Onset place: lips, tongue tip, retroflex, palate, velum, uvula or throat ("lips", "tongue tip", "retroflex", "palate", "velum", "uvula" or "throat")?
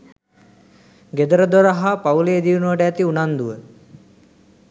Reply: velum